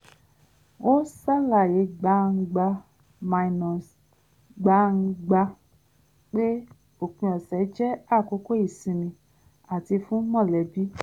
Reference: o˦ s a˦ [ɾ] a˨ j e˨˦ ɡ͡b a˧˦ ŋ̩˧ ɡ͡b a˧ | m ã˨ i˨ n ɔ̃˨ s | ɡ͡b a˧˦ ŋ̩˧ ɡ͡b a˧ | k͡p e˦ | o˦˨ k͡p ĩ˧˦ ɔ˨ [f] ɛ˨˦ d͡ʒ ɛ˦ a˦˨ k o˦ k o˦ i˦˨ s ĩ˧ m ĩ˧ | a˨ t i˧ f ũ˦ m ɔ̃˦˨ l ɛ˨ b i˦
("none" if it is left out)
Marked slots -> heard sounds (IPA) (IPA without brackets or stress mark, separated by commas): l, s